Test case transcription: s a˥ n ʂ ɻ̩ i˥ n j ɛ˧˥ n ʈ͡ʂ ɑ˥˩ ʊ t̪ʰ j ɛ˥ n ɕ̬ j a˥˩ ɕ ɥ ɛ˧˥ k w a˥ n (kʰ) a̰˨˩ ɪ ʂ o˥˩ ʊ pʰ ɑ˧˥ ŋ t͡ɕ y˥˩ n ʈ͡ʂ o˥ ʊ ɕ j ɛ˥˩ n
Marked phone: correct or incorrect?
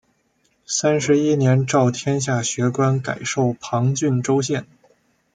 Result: incorrect